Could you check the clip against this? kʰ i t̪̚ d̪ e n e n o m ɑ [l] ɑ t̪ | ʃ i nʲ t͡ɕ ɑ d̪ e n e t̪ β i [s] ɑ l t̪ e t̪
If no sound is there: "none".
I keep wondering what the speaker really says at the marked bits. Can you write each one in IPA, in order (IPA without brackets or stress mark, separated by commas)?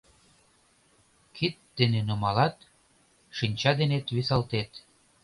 l, s